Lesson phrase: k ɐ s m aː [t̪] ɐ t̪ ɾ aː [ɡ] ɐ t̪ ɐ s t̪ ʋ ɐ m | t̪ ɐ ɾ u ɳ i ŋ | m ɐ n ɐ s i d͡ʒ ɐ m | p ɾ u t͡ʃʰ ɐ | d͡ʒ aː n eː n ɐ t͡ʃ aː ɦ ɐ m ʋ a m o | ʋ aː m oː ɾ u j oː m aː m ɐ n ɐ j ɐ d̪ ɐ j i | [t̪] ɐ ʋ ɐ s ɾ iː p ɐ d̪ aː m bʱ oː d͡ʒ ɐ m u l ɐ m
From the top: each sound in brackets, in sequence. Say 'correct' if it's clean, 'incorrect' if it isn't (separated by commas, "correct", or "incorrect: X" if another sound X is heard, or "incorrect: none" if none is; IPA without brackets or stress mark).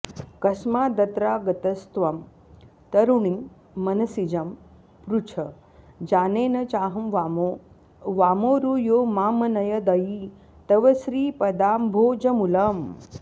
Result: incorrect: d̪, correct, correct